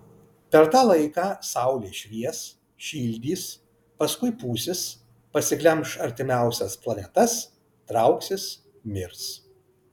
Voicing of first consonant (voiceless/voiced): voiceless